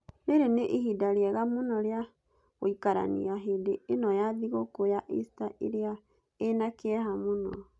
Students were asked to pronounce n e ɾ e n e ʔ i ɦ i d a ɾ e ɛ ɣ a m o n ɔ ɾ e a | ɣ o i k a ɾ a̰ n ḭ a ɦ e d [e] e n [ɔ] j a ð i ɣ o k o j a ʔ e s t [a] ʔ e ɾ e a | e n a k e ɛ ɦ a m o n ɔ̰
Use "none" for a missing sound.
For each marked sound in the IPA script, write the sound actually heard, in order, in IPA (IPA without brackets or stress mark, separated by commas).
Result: e, ɔ, a